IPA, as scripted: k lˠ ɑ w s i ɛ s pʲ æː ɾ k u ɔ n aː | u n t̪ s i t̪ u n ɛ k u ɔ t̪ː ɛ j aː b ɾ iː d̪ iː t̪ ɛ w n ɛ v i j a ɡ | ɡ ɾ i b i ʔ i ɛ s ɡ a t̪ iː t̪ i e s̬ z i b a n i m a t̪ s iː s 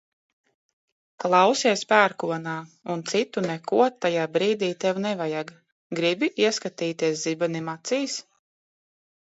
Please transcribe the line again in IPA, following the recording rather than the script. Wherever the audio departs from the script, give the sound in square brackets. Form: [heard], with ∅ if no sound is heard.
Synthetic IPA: k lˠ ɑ w s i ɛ s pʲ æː ɾ k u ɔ n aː | u n t̪ s i t̪ u n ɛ k u ɔ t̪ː [a] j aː b ɾ iː d̪ iː t̪ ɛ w n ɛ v [a] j a ɡ | ɡ ɾ i b i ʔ i ɛ s [k] a t̪ iː t̪ i [ɛ] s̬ z i b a n i m a t̪ s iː s